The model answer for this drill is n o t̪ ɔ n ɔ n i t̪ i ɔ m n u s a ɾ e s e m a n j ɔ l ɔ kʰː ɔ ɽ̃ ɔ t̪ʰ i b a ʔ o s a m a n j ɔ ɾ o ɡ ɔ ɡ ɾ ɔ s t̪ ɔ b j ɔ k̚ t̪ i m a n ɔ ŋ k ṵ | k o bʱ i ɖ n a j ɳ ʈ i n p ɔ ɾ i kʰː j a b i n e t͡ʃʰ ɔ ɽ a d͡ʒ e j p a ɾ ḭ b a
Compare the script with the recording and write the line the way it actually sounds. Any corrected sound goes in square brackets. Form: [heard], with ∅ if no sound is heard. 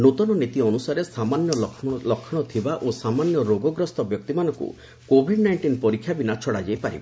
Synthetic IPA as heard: n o t̪ ɔ n ɔ n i t̪ i ɔ [∅] n u s a ɾ e s [a] m a n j ɔ l ɔ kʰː ɔ ɽ̃ ɔ t̪ʰ i b a ʔ o s a m a n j ɔ ɾ o ɡ ɔ ɡ ɾ ɔ s t̪ ɔ b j ɔ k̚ t̪ i m a n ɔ ŋ k ṵ | k o bʱ i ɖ n a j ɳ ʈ i n p ɔ ɾ i kʰː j a b i n [a] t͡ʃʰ ɔ ɽ a d͡ʒ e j p a ɾ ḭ b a